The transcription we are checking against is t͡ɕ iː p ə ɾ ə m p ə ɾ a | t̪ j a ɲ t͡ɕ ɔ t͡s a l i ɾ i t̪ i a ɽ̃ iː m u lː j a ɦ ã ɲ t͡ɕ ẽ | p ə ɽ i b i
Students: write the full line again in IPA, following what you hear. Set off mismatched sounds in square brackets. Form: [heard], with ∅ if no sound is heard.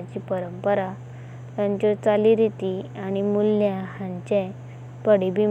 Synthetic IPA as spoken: t͡ɕ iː p ə ɾ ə m p ə ɾ a | t̪ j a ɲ t͡ɕ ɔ t͡s a l i ɾ i t̪ i a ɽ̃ [i] m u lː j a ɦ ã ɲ t͡ɕ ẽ | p ə ɽ i b i